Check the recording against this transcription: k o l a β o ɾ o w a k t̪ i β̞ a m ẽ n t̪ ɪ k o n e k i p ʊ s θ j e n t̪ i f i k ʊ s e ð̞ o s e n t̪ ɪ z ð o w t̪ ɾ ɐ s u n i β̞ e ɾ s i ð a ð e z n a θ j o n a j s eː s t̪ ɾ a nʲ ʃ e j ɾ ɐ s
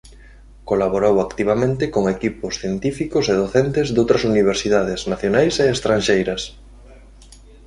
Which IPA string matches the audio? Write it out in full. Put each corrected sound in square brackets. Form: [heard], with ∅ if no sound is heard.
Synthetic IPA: k o l a β o ɾ o w a k t̪ i β̞ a m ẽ n t̪ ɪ k o [ŋ] e k i p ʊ s θ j e n t̪ i f i k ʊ s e ð̞ o [θ] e n t̪ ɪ z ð o w t̪ ɾ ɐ s u n i β̞ e ɾ s i ð a ð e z n a θ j o n a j s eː s t̪ ɾ a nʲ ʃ e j ɾ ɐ s